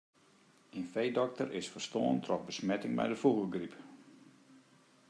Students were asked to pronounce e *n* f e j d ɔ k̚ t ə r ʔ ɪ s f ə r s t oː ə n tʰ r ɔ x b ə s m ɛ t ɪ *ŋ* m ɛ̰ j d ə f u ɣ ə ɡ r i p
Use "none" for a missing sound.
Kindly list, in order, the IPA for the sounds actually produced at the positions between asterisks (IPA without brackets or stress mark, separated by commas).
n, ŋ